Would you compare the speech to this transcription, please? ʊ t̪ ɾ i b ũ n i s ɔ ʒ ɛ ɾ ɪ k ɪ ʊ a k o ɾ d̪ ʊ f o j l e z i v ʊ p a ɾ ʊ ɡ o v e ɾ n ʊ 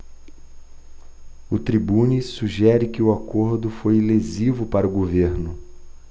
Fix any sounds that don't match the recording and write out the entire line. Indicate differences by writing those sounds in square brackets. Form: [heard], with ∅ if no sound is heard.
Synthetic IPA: ʊ t̪ ɾ i b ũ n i s [u] ʒ ɛ ɾ ɪ k ɪ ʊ a k o ɾ d̪ ʊ f o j l e z i v ʊ p a ɾ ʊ ɡ o v e ɾ n ʊ

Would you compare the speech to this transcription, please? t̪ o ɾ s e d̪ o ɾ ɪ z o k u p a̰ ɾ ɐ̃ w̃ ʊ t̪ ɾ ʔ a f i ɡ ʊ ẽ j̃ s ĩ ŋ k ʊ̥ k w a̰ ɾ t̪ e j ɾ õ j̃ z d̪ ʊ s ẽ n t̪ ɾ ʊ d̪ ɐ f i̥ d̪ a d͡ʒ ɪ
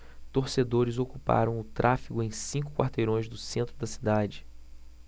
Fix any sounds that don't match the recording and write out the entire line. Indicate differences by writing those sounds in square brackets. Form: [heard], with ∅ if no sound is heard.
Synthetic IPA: t̪ o ɾ s e d̪ o ɾ ɪ z o k u p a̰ ɾ ɐ̃ w̃ ʊ t̪ ɾ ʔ a f i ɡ ʊ ẽ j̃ s ĩ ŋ k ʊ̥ k w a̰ ɾ t̪ e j ɾ õ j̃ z d̪ ʊ s ẽ n t̪ ɾ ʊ d̪ ɐ [s] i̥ d̪ a d͡ʒ ɪ

